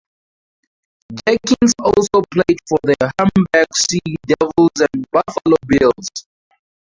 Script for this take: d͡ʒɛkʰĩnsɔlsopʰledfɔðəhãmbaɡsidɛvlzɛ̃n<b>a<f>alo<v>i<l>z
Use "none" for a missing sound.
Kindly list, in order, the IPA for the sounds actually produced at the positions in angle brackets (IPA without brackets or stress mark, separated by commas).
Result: b, f, b, l